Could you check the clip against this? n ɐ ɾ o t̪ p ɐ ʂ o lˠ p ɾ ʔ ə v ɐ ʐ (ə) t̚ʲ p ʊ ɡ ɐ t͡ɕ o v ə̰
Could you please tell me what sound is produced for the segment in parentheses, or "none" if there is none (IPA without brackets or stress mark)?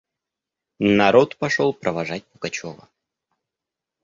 a